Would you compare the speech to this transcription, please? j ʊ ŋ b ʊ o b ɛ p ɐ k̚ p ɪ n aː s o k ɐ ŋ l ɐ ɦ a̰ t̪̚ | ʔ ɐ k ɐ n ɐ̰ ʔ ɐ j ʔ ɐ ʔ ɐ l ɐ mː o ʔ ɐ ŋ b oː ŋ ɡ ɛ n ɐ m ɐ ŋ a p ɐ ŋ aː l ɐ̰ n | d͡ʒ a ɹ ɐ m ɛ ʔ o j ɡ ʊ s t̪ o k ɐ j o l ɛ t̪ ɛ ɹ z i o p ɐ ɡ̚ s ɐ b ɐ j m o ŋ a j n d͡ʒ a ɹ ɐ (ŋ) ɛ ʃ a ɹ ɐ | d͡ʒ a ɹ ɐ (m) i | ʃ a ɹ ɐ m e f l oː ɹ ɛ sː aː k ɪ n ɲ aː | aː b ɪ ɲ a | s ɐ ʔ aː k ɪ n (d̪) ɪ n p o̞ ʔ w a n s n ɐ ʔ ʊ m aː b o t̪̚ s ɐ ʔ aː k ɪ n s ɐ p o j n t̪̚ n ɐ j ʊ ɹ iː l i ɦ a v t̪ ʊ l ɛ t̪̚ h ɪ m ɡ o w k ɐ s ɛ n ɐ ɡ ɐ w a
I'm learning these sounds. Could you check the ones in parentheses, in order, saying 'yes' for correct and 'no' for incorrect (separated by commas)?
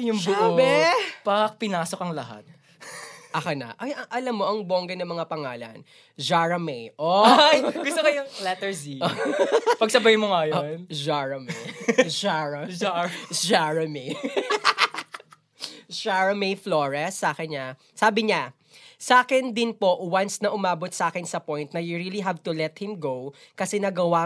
no, yes, yes